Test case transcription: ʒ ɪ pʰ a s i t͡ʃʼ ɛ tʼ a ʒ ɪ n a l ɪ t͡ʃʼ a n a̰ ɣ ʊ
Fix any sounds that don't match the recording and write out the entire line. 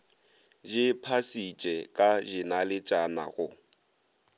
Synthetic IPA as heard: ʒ ɪ pʰ a s i t͡ʃʼ ɛ kʼ a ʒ ɪ n a l ɪ t͡ʃʼ a n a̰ ɣ ʊ